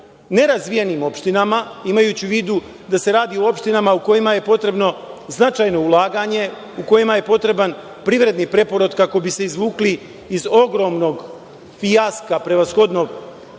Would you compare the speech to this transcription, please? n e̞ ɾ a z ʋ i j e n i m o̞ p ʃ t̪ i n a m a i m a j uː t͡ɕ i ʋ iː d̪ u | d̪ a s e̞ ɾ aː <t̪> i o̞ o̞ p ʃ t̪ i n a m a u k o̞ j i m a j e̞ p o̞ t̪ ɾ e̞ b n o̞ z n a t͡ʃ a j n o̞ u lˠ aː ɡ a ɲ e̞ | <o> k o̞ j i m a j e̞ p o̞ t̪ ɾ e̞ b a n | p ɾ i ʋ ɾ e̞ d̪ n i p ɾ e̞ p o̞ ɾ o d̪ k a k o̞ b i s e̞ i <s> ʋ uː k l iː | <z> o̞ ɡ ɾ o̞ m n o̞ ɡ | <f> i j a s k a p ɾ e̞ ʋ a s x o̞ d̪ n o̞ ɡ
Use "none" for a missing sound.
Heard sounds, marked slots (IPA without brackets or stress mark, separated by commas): d̪, u, z, z, f